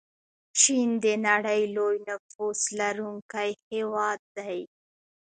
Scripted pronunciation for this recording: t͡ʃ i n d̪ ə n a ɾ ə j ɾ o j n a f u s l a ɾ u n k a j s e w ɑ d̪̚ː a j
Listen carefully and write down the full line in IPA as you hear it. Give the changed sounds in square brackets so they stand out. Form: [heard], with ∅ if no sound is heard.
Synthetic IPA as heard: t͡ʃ i n d̪ ə n a [ɽ] ə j [l] o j n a f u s l a ɾ u [ŋ] k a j [h] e w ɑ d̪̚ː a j

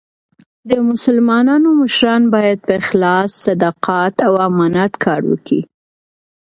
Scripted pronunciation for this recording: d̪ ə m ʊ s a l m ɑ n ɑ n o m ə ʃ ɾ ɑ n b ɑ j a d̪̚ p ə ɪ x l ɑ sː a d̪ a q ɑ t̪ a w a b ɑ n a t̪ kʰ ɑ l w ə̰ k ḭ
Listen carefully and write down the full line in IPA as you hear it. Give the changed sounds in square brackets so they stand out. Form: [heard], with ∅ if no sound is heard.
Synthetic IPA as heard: d̪ ə m ʊ s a l m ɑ n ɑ n o m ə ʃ ɾ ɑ n b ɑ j a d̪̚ p ə ɪ x l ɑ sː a d̪ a q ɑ t̪ a w a [m] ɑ n a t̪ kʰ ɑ [ɾ] w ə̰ k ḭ

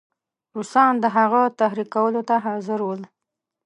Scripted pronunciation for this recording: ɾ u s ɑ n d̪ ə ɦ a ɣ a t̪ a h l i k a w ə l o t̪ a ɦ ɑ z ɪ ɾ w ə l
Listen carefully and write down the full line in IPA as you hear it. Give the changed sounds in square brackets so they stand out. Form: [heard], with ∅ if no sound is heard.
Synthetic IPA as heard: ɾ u s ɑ n d̪ ə ɦ a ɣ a t̪ a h [ɾ] i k a w ə l o t̪ a ɦ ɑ z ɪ ɾ w ə l

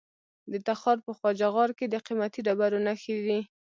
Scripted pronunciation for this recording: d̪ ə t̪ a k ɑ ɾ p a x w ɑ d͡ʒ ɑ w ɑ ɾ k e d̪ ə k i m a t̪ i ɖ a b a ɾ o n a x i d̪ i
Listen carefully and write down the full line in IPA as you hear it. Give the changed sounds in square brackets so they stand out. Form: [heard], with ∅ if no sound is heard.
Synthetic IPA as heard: d̪ ə t̪ a [x] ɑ ɾ p [ə] x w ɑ d͡ʒ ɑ [ɣ] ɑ ɾ k e d̪ ə [q] i m a t̪ i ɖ a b a ɾ o n a x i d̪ i

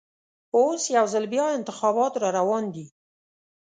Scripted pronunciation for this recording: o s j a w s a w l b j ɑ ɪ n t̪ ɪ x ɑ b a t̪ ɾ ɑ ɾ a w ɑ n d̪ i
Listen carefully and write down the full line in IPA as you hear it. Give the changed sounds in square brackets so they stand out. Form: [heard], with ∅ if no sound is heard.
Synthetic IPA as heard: o s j a w [z] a [∅] l b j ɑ ɪ n t̪ ɪ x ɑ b [ɑ] t̪ ɾ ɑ ɾ a w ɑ n d̪ i

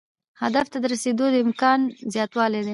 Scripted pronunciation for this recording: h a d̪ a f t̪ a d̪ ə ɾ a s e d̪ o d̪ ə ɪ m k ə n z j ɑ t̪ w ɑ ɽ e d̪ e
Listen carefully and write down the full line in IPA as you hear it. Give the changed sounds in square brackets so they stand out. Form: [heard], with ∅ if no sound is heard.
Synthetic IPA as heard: h a d̪ a f t̪ a d̪ ə ɾ a s e d̪ o d̪ ə ɪ m k [ɑ] n z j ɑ t̪ w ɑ [l] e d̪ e

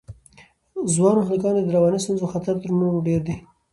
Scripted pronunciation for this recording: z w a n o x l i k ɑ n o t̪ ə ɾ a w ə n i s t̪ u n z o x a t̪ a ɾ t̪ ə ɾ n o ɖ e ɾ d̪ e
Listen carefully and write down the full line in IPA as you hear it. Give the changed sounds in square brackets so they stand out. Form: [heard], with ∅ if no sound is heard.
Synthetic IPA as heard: z w [ɑ] n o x l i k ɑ n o [d̪] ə ɾ a w [ɑ] n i s t̪ u n z o x a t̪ a ɾ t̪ ə ɾ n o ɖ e ɾ d̪ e

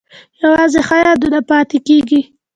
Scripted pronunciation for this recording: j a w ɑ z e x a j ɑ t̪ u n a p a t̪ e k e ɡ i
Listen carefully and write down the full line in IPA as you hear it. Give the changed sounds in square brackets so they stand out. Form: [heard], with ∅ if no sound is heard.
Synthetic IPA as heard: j a w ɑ z e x a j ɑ [d̪] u n a p [ɑ] t̪ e k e ɡ i

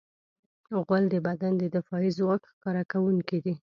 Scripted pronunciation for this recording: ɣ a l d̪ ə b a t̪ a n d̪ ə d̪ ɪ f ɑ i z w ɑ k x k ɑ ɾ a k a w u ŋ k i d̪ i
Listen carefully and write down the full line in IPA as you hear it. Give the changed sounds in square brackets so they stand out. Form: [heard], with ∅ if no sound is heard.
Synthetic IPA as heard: ɣ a l d̪ ə b a [d̪] a n d̪ ə d̪ ɪ f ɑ i z w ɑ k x k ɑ ɾ a k a w u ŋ k i d̪ i

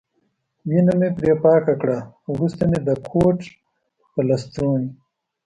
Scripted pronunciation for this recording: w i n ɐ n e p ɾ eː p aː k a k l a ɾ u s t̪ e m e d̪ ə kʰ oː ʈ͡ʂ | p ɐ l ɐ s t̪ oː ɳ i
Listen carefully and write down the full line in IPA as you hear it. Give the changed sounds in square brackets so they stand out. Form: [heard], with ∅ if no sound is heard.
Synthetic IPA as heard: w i n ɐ [m] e p ɾ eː p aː k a k [ɽ] a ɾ u s t̪ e m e d̪ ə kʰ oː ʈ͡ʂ | p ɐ l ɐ s t̪ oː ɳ i

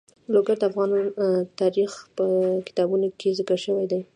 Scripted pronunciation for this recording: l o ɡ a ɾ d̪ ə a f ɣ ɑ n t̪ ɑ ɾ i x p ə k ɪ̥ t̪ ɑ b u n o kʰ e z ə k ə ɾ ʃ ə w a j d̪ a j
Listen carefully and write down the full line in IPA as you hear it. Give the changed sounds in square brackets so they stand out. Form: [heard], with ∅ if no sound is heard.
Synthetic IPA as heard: l o ɡ a ɾ d̪ ə a f ɣ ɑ n t̪ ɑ ɾ i x p ə k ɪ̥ t̪ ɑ b u n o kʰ e z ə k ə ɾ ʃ ə w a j d̪ a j

